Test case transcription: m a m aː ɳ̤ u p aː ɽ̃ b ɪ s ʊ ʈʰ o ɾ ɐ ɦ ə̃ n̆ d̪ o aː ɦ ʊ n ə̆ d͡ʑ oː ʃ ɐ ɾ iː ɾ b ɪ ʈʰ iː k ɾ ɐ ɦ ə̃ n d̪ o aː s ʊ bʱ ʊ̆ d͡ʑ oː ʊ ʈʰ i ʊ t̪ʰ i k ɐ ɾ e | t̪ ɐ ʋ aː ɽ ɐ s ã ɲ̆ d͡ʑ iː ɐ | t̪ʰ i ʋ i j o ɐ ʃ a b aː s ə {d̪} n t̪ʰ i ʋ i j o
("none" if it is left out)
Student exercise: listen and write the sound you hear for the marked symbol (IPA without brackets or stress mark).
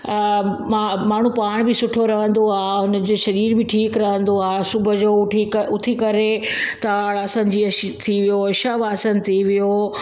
none